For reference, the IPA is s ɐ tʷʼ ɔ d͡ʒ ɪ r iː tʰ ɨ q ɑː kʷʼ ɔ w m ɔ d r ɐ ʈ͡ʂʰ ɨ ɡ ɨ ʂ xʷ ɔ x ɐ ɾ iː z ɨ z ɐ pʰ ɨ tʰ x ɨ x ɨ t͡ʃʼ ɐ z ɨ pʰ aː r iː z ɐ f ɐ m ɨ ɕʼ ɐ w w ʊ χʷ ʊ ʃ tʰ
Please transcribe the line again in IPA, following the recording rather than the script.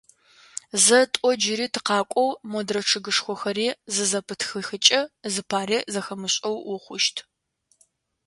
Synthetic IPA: z ɐ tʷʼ ɔ d͡ʒ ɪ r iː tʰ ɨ q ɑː kʷʼ ɔ w m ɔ d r ɐ ʈ͡ʂʰ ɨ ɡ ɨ ʂ xʷ ɔ x ɐ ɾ iː z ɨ z ɐ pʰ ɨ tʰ x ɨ x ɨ t͡ʃʼ ɐ z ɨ pʰ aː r iː z ɐ x ɐ m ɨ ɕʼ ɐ w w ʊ χʷ ʊ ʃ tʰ